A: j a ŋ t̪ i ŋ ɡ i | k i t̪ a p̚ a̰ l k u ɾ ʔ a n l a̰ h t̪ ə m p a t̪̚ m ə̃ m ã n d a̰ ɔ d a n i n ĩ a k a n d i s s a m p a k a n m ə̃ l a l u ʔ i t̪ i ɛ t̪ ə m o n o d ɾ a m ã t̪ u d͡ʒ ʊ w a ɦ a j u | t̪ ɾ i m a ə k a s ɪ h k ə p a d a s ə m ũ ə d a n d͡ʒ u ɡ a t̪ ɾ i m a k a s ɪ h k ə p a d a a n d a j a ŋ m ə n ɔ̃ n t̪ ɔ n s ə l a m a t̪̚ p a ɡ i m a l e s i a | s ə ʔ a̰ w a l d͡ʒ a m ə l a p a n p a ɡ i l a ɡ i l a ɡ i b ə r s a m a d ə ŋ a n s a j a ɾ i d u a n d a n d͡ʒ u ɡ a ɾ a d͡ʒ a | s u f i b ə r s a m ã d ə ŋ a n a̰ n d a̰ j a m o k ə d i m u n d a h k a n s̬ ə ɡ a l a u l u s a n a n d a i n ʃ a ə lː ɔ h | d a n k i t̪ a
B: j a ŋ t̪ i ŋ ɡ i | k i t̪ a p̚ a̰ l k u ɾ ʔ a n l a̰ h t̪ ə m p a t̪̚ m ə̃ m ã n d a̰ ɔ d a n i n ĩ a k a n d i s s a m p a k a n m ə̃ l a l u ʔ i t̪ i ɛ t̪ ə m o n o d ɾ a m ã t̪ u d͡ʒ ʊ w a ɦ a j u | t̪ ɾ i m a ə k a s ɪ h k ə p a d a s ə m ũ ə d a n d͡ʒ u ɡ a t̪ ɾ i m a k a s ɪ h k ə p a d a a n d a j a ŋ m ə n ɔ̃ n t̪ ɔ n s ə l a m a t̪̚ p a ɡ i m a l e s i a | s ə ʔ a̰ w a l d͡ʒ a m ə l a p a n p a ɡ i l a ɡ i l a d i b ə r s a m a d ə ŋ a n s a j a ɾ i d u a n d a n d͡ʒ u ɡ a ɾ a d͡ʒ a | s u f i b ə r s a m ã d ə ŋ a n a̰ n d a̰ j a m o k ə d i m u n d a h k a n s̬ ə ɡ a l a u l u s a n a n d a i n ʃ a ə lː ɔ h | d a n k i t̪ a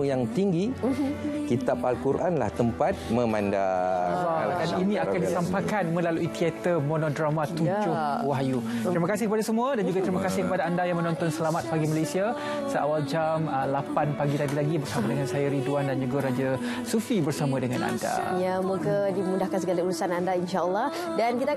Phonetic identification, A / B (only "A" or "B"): A